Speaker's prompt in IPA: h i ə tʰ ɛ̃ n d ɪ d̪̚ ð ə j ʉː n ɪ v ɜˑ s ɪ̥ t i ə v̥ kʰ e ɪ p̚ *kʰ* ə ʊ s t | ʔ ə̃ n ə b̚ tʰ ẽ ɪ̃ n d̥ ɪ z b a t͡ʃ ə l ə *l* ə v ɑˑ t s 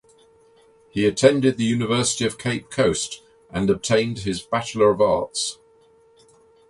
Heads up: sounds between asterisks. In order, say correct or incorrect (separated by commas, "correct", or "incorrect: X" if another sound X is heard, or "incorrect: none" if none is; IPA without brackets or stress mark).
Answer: correct, incorrect: ɹ